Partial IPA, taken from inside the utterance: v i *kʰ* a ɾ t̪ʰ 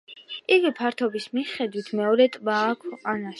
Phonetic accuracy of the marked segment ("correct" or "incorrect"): incorrect